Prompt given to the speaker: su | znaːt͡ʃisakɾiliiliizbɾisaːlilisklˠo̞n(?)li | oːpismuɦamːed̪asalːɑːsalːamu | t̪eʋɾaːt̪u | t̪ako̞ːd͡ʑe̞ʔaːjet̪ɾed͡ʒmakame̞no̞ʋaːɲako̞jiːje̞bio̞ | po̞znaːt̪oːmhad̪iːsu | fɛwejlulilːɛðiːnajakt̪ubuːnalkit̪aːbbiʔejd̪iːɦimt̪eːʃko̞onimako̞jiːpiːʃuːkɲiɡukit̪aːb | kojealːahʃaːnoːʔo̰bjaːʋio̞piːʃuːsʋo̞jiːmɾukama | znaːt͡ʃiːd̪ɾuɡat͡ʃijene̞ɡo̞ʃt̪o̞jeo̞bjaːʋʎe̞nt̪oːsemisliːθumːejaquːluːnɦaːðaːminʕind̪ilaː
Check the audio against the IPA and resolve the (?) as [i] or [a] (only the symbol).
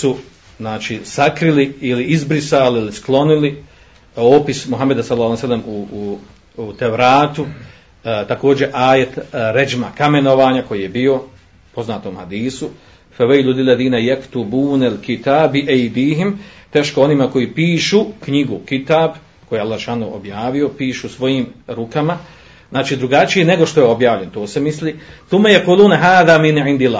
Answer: i